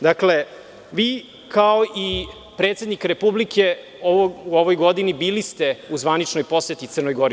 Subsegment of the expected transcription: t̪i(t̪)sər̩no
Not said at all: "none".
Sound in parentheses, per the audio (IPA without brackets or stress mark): t̪